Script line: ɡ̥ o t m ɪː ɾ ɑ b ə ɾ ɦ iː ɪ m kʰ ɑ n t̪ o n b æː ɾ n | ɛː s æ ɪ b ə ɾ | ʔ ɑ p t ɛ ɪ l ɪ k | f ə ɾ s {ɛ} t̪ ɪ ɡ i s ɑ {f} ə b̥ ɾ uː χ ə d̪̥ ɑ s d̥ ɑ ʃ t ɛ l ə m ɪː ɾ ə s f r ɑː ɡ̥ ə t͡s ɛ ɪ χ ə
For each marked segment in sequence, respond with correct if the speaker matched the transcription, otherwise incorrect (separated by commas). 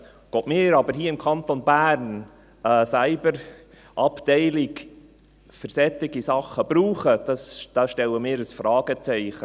correct, incorrect